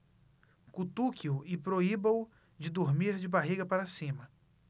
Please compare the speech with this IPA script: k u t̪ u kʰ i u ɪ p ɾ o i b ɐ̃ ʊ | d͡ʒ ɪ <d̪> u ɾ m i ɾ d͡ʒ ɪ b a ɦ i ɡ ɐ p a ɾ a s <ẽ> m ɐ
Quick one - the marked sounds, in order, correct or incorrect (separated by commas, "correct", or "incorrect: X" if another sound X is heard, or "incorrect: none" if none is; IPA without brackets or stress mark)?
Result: correct, incorrect: ĩ